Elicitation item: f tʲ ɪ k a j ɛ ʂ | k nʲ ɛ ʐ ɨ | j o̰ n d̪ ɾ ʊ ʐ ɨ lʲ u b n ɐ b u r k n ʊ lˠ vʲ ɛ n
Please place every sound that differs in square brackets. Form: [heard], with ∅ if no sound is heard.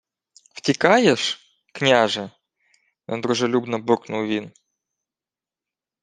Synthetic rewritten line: f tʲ ɪ k a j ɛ ʂ | k nʲ [a] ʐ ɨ | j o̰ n d̪ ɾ ʊ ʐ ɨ lʲ u b n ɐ b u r k n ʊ lˠ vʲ [i] n